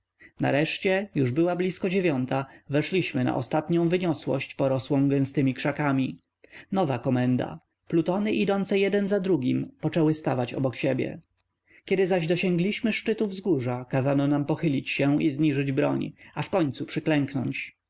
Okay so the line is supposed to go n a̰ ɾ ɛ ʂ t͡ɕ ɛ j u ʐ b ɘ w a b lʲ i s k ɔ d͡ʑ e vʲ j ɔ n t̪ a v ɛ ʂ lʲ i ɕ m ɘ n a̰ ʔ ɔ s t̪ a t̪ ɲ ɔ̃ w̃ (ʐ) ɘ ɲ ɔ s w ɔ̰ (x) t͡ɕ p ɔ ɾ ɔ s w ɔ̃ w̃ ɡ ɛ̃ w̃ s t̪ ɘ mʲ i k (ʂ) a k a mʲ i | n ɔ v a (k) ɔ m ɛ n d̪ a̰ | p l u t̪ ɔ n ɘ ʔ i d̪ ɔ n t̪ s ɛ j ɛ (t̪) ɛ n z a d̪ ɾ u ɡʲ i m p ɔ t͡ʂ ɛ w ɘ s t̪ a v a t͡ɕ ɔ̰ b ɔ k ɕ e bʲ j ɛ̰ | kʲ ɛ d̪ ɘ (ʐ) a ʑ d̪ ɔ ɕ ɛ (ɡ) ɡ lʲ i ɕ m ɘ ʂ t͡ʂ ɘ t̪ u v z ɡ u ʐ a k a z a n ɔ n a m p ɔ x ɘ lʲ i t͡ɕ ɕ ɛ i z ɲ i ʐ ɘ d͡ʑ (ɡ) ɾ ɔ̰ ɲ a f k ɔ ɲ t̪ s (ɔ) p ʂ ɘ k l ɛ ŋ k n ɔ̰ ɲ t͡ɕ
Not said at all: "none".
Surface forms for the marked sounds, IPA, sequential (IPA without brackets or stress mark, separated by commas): v, ɕ, ʂ, k, d̪, z, ŋ, b, u